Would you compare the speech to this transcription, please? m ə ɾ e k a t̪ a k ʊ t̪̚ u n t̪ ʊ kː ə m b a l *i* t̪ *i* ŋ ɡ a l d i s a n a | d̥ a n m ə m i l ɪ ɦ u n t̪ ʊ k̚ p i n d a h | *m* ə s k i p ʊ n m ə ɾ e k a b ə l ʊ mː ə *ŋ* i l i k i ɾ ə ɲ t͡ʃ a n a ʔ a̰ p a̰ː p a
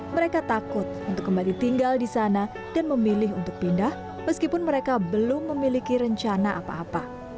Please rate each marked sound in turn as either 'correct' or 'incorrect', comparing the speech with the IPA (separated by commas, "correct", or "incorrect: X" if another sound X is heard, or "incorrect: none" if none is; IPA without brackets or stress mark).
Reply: correct, correct, correct, incorrect: m